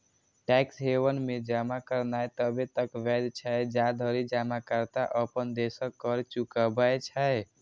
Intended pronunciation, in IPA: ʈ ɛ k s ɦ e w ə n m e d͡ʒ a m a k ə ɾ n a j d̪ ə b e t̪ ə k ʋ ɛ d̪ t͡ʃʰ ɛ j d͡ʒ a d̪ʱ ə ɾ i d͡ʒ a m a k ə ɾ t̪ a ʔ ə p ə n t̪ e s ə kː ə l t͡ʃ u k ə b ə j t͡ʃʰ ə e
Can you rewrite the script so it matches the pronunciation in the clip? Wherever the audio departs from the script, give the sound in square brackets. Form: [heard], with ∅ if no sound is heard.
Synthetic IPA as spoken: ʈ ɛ k s ɦ e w ə n m e d͡ʒ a m a k ə ɾ n a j [t̪] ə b e t̪ ə k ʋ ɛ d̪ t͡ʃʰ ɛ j d͡ʒ a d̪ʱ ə ɾ i d͡ʒ a m a k ə ɾ t̪ a ʔ ə p ə n [d̪] e s ə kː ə [ɾ] t͡ʃ u k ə b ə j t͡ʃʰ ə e